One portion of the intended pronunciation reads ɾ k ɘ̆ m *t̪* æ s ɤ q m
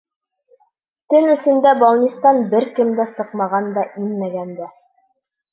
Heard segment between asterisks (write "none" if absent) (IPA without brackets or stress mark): d̪